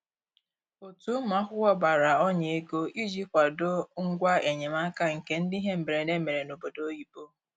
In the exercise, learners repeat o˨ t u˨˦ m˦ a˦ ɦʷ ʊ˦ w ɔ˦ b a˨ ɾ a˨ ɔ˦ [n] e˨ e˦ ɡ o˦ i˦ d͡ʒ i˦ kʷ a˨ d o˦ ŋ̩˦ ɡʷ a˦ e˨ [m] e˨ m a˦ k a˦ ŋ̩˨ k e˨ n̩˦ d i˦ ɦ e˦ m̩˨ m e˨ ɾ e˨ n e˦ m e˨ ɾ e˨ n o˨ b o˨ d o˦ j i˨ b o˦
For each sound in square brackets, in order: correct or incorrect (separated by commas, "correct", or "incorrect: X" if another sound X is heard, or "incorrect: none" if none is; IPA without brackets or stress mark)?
incorrect: ɲ, incorrect: ɲ